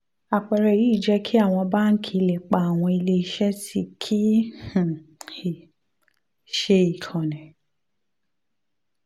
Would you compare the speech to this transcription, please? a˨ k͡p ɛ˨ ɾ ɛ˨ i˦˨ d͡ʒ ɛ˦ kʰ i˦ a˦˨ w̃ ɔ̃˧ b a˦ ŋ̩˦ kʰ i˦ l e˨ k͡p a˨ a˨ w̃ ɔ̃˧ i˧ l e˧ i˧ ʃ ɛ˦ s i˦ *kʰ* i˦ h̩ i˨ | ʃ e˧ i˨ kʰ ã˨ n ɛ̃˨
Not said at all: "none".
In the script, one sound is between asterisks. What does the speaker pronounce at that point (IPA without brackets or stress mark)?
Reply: kʰ